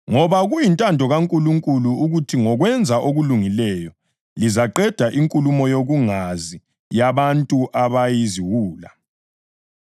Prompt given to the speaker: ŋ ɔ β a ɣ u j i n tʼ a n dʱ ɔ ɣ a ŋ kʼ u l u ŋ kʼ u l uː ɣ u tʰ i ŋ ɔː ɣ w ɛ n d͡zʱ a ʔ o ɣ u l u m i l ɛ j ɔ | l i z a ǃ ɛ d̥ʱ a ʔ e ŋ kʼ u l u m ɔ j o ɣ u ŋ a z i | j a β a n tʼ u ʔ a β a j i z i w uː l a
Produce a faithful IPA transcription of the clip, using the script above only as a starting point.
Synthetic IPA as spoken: ŋ ɔ β a ɣ u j i n tʼ a n dʱ ɔ ɣ a ŋ kʼ u l u ŋ kʼ u l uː ɣ u tʰ i ŋ ɔ ɣ w ɛ n d͡zʱ a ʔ o ɣ u l u ŋ i l ɛ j ɔ | l i z a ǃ ɛ d̥ʱ a ʔ i ŋ kʼ u l u m ɔ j o ɣ u ŋ a z i | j a β a n tʼ u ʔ a β a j i z i w uː l a